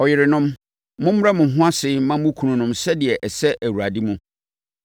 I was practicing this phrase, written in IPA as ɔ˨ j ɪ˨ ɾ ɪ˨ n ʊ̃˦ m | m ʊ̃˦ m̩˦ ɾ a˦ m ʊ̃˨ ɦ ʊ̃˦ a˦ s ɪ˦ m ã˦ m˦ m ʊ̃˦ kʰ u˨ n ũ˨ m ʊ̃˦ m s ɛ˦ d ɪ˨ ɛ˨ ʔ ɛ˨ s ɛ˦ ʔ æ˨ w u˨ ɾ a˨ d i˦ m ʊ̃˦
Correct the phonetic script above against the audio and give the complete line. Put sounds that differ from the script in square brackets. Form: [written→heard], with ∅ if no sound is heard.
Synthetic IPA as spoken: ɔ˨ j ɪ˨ ɾ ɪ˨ n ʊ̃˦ m | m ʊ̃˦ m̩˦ ɾ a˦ m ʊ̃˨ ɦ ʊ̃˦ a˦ s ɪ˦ m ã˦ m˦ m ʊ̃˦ kʰ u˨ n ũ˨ [m→n] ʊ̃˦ m s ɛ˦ d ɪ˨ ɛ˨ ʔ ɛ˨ s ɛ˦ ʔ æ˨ w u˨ ɾ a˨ d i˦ m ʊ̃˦